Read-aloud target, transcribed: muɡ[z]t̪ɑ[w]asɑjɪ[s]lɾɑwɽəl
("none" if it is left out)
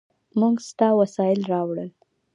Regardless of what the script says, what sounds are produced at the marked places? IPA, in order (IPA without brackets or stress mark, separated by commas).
s, w, none